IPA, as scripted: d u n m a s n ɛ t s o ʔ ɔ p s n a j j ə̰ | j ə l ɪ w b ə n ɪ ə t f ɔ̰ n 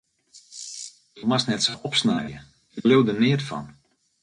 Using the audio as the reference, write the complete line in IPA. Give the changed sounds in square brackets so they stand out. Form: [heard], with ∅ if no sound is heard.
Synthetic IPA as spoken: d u [∅] m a s n ɛ t s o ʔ ɔ p s n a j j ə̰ | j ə l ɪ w [d] ə n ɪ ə t f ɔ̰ n